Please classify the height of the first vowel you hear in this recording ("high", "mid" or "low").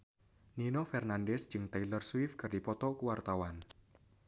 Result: high